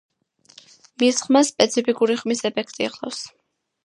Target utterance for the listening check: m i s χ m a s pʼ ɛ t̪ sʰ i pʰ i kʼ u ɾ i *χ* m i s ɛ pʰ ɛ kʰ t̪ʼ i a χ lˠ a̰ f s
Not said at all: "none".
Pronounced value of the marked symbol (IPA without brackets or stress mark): χ